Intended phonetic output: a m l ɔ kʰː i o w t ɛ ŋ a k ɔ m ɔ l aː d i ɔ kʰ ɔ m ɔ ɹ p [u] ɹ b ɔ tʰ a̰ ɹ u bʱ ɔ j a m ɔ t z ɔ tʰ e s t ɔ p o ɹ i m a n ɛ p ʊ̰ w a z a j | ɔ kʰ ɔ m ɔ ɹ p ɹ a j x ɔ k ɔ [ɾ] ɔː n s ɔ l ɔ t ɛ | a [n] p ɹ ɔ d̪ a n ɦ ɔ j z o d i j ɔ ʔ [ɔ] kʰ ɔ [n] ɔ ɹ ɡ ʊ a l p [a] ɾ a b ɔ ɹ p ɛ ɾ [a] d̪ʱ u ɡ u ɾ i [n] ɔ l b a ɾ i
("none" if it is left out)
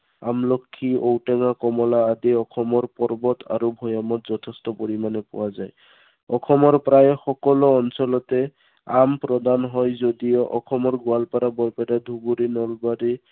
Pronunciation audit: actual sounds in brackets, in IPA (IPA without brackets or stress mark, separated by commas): ɔ, l, m, ɔ, m, a, a, n